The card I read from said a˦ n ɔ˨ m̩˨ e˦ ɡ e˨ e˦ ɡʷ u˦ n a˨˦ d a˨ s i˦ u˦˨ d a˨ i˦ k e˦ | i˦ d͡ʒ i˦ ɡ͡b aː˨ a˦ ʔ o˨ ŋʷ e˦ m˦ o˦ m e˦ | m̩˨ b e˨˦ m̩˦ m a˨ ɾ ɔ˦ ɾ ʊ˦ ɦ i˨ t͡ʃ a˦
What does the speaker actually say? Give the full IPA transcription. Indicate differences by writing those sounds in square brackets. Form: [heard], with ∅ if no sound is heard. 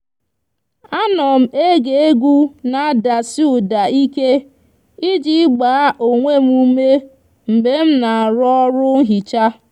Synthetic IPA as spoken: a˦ n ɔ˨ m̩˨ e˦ ɡ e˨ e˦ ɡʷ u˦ n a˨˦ d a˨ s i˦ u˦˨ d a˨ i˦ k e˦ | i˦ d͡ʒ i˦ ɡ͡b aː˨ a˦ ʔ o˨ ŋʷ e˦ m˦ [u˦] m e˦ | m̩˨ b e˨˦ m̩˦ [n] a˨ ɾ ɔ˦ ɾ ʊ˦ ɦ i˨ t͡ʃ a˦